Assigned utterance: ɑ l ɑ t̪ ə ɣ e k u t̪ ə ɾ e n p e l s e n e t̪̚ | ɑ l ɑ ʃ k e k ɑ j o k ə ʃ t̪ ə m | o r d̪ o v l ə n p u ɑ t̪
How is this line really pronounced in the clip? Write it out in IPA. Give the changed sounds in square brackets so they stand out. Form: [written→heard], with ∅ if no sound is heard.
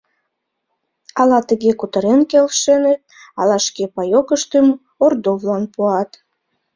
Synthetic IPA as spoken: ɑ l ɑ t̪ ə ɣ e k u t̪ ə ɾ e n [p→k] e l [s→ʃ] e n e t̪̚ | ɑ l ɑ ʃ k e [k→p] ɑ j o k ə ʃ t̪ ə m | o r d̪ o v l [ə→ɑ] n p u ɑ t̪

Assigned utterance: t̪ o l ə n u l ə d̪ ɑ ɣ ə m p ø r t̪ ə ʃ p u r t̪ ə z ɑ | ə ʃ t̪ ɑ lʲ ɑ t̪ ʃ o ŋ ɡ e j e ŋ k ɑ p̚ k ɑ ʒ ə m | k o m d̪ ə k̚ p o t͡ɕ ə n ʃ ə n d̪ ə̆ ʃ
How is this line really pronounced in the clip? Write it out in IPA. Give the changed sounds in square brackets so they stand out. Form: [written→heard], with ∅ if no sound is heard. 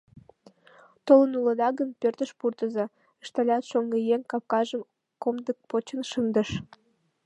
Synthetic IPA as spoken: t̪ o l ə n u l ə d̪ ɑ ɣ ə m p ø r t̪ ə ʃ p u r t̪ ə z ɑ | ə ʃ t̪ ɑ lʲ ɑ t̪ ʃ o ŋ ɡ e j e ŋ k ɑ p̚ k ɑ ʒ ə m | k o m d̪ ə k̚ p o t͡ɕ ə n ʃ ə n d̪ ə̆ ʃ

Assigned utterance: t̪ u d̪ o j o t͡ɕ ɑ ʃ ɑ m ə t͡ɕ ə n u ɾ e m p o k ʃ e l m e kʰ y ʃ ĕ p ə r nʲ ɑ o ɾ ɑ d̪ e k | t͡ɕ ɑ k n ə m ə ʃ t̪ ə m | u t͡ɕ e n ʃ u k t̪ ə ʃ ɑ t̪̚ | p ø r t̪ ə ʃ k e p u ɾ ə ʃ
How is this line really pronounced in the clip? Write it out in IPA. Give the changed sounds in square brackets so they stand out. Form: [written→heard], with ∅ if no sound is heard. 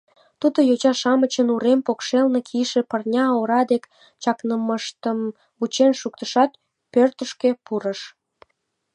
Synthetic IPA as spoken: t̪ u d̪ o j o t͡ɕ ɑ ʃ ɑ m ə t͡ɕ ə n u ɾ e m p o k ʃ e l [m→n] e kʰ [y→i] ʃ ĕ p ə r nʲ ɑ o ɾ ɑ d̪ e k | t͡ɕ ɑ k n ə m ə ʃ t̪ ə m | u t͡ɕ e n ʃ u k t̪ ə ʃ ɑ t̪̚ | p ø r t̪ ə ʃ k e p u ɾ ə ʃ

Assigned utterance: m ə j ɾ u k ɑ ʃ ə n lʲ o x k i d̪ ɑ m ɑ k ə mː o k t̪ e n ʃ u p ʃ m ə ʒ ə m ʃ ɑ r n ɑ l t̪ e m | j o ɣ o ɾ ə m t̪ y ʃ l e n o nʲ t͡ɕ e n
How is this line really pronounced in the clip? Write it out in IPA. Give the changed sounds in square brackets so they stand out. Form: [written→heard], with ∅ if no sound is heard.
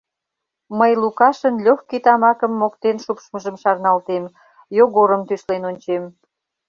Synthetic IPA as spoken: m ə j [ɾ→l] u k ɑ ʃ ə n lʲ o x k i [d̪→t̪] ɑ m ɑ k ə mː o k t̪ e n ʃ u p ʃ m ə ʒ ə m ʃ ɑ r n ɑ l t̪ e m | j o ɣ o ɾ ə m t̪ y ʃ l e n o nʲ t͡ɕ e [n→m]

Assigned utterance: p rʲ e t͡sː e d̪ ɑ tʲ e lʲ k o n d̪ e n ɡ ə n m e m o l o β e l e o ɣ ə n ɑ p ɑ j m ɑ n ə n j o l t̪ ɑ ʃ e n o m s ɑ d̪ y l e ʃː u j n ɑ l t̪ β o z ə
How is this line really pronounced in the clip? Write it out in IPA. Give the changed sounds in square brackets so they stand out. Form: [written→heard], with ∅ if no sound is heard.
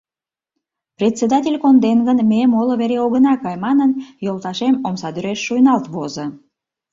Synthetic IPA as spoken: p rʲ e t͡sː e d̪ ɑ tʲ e lʲ k o n d̪ e n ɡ ə n m e m o l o β e [l→ɾ] e o ɣ ə n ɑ [p→k] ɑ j m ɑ n ə n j o l t̪ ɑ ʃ e [n→m] o m s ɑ d̪ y [l→ɾ] e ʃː u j n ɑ l t̪ β o z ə

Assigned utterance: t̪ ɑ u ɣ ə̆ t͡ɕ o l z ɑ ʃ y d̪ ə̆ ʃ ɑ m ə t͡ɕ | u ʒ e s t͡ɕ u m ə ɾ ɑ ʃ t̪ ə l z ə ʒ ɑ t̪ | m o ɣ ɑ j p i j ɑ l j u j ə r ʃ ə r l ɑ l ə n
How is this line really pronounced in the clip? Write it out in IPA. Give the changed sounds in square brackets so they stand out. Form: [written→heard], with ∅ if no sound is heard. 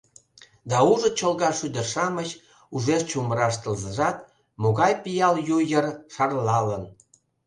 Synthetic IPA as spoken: [t̪→d̪] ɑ u [ɣ→ʒ] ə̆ t͡ɕ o l [z→ɣ] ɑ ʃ y d̪ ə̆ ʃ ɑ m ə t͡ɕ | u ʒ e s t͡ɕ u m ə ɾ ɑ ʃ t̪ ə l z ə ʒ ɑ t̪ | m o ɣ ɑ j p i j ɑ l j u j ə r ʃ [ə→ɑ] r l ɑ l ə n

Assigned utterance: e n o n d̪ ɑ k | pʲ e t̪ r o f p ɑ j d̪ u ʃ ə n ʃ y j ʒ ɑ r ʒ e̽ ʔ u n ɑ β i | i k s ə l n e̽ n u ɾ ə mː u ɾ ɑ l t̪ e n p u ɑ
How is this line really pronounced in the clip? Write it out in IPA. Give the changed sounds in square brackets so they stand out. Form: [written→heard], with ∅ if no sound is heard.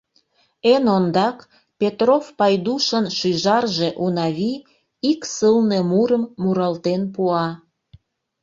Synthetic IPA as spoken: e n o n d̪ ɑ k | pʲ e t̪ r o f p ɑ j d̪ u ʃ ə n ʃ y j ʒ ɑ r ʒ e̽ ʔ u n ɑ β i | i k s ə l n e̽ [n→m] u ɾ ə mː u ɾ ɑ l t̪ e n p u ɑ

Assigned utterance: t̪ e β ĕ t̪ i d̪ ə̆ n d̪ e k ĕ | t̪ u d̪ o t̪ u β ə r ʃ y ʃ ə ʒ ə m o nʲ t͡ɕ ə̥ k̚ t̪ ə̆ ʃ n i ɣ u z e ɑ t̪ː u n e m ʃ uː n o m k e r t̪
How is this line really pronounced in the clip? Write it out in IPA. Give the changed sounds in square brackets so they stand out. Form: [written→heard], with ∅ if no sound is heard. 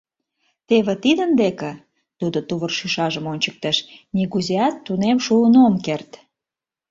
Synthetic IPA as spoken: t̪ e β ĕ t̪ i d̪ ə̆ n d̪ e k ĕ | t̪ u d̪ o t̪ u β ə r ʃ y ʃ [ə→ɑ] ʒ ə m o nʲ t͡ɕ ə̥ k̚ t̪ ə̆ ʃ n i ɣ u z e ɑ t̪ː u n e m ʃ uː n o m k e r t̪

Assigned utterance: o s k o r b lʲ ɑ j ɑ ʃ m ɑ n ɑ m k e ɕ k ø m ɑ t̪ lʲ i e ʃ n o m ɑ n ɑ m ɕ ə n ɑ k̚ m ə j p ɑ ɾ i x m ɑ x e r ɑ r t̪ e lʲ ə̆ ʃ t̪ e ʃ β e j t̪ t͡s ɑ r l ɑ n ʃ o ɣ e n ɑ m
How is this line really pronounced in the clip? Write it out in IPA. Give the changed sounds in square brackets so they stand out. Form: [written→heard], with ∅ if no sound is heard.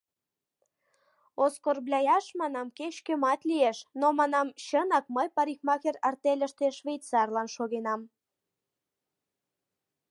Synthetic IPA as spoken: o s k o r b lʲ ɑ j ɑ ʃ m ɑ n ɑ m k e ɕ k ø m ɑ t̪ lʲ i e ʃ n o m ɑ n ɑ m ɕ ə n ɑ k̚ m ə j p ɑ ɾ i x m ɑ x e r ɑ r t̪ e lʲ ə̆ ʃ t̪ e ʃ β e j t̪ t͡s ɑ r l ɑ n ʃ o ɣ e n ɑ m

